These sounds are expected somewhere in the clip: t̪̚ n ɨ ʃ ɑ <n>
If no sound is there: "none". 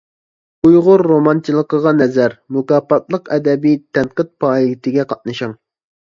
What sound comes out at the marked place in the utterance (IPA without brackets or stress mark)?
ŋ